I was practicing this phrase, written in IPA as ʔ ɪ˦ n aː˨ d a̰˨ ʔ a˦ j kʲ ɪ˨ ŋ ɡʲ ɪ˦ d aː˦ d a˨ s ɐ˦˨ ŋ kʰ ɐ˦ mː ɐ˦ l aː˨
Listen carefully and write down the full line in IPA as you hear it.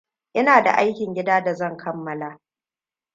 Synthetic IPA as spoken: ʔ ɪ˦ n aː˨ d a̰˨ ʔ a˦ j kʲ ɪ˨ ŋ ɡʲ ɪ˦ d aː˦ d a˨ z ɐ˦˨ ŋ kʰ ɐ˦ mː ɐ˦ l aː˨